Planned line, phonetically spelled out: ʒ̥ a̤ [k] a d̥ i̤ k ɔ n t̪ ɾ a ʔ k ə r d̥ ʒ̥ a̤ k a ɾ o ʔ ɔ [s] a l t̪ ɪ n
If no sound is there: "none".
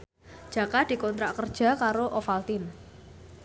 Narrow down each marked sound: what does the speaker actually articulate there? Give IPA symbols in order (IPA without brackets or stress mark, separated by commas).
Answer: k, f